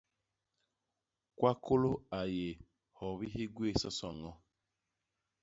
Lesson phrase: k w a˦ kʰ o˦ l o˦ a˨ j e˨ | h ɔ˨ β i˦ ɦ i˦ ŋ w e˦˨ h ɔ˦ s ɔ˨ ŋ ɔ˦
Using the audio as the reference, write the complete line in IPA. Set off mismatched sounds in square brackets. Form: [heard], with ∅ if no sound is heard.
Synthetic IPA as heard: k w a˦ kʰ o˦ l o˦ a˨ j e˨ | h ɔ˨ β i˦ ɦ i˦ [ɡ] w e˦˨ [s] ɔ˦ s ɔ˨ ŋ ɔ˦

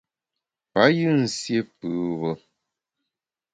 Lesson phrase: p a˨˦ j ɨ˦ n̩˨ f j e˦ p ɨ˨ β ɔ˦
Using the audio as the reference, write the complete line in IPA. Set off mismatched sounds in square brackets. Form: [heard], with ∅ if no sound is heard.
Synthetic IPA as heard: p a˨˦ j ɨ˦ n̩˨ [s] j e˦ p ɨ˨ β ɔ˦

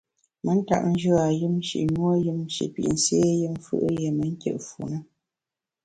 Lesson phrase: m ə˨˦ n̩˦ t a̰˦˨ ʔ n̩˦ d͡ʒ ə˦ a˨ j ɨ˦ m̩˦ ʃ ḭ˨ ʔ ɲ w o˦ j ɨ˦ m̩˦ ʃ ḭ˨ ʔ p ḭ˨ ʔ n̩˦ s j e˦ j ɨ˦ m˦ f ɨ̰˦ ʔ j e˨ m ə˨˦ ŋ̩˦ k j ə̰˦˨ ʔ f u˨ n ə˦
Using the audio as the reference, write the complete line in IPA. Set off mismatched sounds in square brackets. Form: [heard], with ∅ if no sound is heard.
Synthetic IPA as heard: m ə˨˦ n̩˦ t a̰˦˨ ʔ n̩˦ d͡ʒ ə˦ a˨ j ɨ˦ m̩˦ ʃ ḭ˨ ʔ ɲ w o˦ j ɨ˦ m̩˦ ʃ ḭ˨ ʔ p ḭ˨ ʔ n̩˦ s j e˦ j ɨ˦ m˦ f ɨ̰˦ ʔ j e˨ m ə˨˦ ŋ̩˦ k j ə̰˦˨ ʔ f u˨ n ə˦

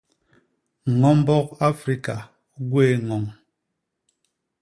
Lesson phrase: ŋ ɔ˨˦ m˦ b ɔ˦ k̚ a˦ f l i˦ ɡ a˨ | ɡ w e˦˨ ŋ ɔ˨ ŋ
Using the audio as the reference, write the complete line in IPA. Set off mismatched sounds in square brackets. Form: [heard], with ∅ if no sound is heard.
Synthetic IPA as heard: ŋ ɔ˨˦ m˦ b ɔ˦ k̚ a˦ f [ɾ] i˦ [k] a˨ | ɡ w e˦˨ ŋ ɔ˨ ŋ

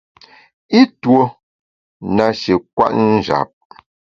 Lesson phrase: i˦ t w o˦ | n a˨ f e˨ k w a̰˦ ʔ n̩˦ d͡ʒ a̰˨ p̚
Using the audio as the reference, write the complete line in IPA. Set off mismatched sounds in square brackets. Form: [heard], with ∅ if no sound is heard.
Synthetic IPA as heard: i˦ t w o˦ | n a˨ [ʃ] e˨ k w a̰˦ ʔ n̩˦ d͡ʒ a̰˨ p̚

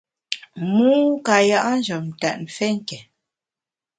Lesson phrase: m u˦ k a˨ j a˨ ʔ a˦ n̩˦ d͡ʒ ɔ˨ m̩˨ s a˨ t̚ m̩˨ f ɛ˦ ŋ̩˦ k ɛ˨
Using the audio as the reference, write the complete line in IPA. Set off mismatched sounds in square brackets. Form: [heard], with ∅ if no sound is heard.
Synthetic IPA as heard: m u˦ k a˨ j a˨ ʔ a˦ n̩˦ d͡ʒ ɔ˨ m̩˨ [t] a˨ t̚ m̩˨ f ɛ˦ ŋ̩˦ k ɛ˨

